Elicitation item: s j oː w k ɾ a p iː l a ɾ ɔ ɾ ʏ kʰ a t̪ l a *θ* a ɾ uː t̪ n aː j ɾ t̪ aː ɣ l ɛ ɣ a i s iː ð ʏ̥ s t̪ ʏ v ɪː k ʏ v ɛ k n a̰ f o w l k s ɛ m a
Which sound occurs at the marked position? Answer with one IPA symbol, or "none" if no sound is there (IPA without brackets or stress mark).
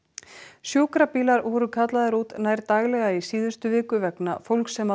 ð